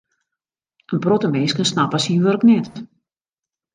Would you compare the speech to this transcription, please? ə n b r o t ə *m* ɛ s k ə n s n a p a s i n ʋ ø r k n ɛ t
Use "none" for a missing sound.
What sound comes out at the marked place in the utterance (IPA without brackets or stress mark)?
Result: m